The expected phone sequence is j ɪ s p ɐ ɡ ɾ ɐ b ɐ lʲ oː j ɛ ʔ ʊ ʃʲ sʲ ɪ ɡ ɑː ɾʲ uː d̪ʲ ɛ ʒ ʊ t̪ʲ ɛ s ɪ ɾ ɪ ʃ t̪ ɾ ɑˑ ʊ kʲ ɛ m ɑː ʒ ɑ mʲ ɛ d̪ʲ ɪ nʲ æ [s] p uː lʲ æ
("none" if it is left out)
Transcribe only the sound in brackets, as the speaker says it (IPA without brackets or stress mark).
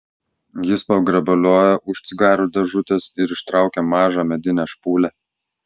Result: ʃ